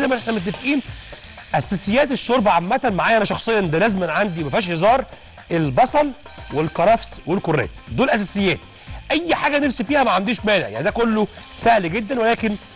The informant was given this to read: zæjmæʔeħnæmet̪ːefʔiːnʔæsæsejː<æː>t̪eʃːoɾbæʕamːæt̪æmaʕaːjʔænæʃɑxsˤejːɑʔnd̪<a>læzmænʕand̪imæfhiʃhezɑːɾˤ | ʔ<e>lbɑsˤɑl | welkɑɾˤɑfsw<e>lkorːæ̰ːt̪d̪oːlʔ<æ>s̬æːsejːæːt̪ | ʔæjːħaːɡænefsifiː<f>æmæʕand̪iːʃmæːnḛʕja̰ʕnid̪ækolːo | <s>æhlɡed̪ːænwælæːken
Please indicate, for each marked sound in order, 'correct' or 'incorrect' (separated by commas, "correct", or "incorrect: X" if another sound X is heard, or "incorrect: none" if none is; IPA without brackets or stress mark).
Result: correct, incorrect: æ, correct, correct, correct, incorrect: h, correct